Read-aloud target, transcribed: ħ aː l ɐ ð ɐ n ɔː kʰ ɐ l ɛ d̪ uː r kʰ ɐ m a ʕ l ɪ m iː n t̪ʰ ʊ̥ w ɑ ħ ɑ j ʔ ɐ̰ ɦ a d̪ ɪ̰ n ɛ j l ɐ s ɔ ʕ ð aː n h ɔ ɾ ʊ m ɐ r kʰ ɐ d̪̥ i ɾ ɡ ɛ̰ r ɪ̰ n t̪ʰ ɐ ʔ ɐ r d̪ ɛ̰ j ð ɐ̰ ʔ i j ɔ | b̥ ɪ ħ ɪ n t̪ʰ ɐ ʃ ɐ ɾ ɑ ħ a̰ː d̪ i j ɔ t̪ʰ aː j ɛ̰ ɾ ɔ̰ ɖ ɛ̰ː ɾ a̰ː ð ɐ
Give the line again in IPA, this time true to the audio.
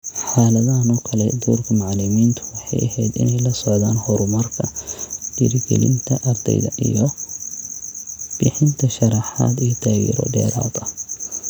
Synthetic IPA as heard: ħ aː l ɐ ð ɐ n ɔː kʰ ɐ l ɛ d̪ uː r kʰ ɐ m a ʕ l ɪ m iː n t̪ʰ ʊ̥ w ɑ ħ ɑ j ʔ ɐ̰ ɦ ɛ d̪ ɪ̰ n ɛ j l ɐ s ɔ ʕ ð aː n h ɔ ɾ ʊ m ɐ r kʰ ɐ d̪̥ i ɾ ɡ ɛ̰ l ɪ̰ n t̪ʰ ɐ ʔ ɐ r d̪ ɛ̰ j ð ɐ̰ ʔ i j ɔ | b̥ ɪ ħ ɪ n t̪ʰ ɐ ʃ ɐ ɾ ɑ ħ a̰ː d̪ i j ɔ t̪ʰ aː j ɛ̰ ɾ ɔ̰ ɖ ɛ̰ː ɾ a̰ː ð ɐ

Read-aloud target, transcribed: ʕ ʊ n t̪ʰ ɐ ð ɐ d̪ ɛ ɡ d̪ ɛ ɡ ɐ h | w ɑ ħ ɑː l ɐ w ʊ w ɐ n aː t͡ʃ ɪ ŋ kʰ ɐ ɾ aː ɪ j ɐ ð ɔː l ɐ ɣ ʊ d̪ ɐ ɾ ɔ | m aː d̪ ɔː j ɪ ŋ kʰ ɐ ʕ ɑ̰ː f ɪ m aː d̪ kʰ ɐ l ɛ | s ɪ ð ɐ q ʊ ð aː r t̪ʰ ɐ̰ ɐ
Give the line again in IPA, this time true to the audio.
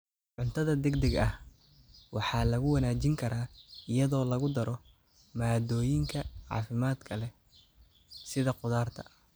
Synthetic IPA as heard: ʕ ʊ n t̪ʰ ɐ ð ɐ d̪ ɛ ɡ d̪ ɛ ɡ ɐ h | w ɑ ħ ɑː l ɐ ɣ ʊ w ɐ n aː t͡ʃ ɪ ŋ kʰ ɐ ɾ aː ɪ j ɐ ð ɔː l ɐ ɣ ʊ d̪ ɐ ɾ ɔ | m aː d̪ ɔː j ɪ ŋ kʰ ɐ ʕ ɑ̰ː f ɪ m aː d̪ kʰ ɐ l ɛ | s ɪ ð ɐ q ʊ ð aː r t̪ʰ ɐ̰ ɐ

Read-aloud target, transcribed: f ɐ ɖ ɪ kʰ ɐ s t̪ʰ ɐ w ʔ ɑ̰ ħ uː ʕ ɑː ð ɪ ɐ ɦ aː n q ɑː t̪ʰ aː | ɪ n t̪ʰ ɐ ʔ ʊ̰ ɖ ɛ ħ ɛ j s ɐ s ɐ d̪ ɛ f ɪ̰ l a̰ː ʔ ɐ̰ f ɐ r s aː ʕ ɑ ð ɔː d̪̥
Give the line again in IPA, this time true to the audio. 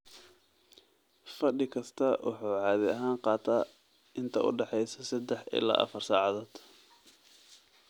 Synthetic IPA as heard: f ɐ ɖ ɪ kʰ ɐ s t̪ʰ ɐ w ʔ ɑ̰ ħ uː ʕ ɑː ð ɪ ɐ ɦ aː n q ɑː t̪ʰ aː | ɪ n t̪ʰ ɐ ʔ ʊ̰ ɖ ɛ ħ ɛ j s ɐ s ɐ d̪ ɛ ħ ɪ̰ l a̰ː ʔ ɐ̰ f ɐ r s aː ʕ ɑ ð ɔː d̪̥

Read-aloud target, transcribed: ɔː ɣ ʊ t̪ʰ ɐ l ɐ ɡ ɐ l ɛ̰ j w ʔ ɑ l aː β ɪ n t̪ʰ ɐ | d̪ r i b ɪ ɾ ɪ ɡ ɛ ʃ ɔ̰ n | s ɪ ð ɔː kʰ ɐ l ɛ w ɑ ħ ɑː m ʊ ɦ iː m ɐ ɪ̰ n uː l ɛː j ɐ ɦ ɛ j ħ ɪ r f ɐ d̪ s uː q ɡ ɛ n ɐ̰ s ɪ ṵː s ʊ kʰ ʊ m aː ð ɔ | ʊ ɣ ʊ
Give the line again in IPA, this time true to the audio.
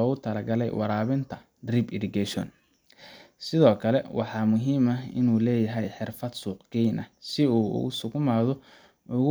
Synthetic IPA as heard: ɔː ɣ ʊ t̪ʰ ɐ l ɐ ɡ ɐ l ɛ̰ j w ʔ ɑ ɾ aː β ɪ n t̪ʰ ɐ | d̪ r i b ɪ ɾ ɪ ɡ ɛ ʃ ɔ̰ n | s ɪ ð ɔː kʰ ɐ l ɛ w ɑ ħ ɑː m ʊ ɦ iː m ɐ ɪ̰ n uː l ɛː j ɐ ɦ ɛ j ħ ɪ r f ɐ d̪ s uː q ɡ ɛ n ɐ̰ s ɪ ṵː s ʊ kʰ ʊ m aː ð ɔ | ʊ ɣ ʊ

